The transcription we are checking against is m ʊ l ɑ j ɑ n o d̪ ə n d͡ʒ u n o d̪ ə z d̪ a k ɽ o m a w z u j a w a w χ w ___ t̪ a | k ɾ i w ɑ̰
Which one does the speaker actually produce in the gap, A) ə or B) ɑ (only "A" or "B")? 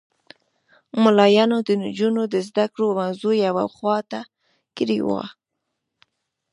B